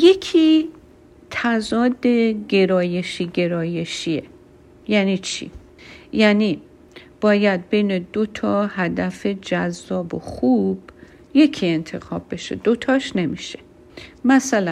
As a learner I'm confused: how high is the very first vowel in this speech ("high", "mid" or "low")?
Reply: mid